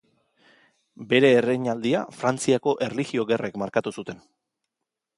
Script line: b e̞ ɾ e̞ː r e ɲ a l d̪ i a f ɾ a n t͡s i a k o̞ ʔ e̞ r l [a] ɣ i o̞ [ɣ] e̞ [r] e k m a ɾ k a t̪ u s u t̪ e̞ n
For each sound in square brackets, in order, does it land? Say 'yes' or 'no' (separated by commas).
no, yes, yes